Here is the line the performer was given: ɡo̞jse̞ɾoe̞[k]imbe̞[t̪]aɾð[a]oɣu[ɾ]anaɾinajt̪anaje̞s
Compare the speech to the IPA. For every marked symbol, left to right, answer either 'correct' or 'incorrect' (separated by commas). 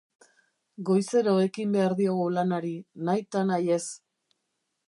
correct, incorrect, incorrect, incorrect